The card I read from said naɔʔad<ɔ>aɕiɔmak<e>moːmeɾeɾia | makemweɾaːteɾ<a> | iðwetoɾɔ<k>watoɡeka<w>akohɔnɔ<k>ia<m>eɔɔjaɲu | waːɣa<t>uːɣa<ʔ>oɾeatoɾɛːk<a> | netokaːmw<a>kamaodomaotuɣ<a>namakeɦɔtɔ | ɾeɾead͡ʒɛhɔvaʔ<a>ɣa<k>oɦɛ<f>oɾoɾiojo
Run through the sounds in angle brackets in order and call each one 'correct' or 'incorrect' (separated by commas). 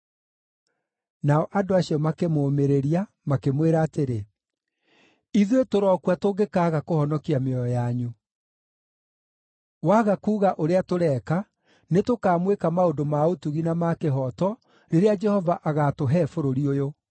incorrect, correct, incorrect, correct, incorrect, correct, correct, incorrect, correct, correct, incorrect, incorrect, correct, incorrect, correct